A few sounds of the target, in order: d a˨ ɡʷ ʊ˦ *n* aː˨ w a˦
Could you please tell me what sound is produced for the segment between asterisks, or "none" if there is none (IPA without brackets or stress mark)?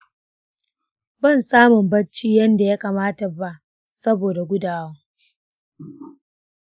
d